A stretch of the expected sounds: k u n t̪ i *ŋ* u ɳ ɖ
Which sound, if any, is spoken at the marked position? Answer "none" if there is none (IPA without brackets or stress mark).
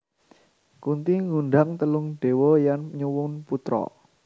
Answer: ŋ